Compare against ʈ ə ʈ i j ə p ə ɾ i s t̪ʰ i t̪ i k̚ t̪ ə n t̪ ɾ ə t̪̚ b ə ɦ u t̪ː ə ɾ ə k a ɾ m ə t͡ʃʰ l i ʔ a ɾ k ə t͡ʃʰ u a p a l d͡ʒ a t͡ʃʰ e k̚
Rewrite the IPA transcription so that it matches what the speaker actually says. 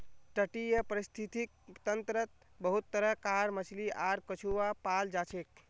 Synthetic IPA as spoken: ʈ ə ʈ i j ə p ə ɾ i s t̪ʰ i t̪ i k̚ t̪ ə n t̪ ɾ ə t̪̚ b ə ɦ u t̪ː ə ɾ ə k a ɾ m ə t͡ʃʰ l i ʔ a ɾ k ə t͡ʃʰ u a p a l d͡ʒ a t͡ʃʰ e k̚